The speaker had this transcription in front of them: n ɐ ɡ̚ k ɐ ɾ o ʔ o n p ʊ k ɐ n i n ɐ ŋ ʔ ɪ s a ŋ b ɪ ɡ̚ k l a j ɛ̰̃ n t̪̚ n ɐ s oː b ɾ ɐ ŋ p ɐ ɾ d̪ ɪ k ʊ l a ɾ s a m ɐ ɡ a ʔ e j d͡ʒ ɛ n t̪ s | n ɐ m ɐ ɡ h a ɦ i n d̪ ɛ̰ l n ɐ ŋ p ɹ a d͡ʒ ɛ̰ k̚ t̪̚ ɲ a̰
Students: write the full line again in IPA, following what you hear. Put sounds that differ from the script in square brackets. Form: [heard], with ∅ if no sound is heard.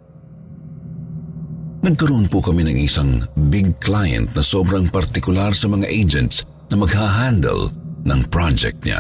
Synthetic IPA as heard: n ɐ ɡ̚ k ɐ ɾ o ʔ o n p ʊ k ɐ [m] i n ɐ ŋ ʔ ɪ s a ŋ b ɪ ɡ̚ k l a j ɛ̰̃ n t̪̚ n ɐ s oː b ɾ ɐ ŋ p ɐ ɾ [t̪] ɪ k ʊ l a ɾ s [ɐ] m ɐ [ŋ] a ʔ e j d͡ʒ ɛ n t̪ s | n ɐ m ɐ ɡ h a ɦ [a] n d̪ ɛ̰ l n ɐ ŋ p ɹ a d͡ʒ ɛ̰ k̚ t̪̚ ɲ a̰